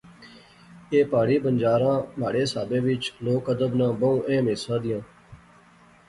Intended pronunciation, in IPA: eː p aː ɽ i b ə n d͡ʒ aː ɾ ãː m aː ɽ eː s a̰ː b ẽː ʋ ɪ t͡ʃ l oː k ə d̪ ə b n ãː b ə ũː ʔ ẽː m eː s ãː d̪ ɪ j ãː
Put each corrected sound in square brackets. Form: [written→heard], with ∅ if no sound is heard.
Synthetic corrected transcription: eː p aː ɽ [i→iː] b ə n d͡ʒ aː ɾ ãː m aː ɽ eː s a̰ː b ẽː ʋ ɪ t͡ʃ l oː k ə d̪ ə b n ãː b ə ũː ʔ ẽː m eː s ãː d̪ ɪ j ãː